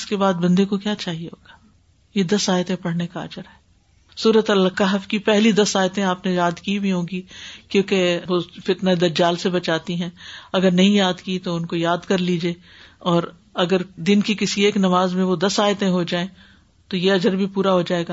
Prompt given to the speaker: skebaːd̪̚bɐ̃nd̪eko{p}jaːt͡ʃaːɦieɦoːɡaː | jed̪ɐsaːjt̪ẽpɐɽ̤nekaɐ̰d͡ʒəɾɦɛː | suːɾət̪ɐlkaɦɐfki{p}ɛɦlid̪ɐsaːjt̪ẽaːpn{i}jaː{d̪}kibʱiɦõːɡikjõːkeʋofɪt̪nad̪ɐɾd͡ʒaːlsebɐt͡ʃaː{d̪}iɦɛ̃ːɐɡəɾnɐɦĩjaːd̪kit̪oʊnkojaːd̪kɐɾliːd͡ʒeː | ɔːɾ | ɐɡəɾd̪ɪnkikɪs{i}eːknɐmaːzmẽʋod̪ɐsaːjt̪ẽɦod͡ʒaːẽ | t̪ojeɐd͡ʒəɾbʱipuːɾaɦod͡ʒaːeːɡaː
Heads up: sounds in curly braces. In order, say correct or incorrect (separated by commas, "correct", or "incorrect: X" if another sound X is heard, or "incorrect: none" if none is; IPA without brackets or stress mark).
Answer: incorrect: k, correct, incorrect: e, correct, incorrect: t̪, correct